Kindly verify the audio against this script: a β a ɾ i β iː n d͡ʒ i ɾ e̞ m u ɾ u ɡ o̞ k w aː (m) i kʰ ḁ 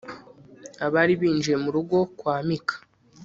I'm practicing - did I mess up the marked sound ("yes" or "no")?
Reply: no